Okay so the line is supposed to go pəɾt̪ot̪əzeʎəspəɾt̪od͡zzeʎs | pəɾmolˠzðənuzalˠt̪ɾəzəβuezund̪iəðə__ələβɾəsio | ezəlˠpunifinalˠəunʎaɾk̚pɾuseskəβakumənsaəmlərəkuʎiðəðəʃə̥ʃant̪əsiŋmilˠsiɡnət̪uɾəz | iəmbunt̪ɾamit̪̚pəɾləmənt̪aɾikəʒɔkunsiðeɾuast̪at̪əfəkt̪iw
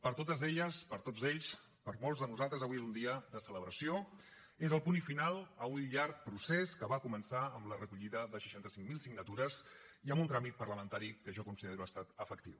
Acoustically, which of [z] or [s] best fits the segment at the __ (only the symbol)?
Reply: s